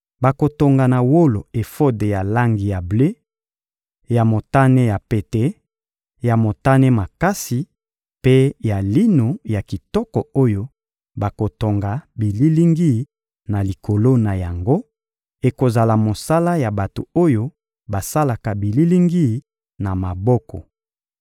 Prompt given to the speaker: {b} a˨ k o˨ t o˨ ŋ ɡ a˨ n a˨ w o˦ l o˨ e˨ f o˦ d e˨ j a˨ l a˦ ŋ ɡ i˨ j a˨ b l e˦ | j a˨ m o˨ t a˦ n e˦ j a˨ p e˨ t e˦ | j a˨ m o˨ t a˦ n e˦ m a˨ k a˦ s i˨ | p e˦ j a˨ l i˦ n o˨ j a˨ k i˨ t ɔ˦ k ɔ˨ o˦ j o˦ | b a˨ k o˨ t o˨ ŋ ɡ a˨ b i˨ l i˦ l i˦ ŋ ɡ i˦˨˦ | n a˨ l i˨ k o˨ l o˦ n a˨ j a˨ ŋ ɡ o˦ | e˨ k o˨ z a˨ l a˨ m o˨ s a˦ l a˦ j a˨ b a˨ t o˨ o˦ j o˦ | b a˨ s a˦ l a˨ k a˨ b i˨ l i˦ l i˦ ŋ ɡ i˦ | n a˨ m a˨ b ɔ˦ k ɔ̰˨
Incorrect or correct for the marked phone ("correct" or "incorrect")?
correct